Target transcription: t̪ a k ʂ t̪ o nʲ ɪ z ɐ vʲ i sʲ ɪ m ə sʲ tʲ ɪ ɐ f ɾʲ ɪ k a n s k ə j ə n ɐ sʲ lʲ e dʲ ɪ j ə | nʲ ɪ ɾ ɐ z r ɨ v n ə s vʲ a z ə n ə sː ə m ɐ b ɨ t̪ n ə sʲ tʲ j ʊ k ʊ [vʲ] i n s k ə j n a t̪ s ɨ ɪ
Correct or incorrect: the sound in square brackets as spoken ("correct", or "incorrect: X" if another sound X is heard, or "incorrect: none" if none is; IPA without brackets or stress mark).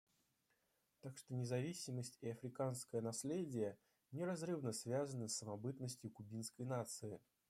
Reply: incorrect: bʲ